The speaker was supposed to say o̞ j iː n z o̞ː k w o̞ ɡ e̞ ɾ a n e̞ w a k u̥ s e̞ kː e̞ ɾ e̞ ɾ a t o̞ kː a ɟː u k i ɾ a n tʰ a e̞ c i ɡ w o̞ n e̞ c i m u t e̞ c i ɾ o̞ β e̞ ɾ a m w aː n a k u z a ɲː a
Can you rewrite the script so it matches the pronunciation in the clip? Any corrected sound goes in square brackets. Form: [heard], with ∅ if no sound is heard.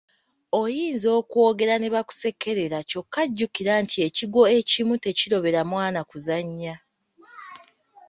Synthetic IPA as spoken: o̞ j iː n z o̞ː k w o̞ ɡ e̞ ɾ a n e̞ [β] a k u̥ s e̞ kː e̞ ɾ e̞ ɾ a [c] o̞ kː a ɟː u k i ɾ a n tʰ [i] e̞ c i ɡ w o̞ [∅] e̞ c i m u t e̞ c i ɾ o̞ β e̞ ɾ a m w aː n a k u z a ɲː a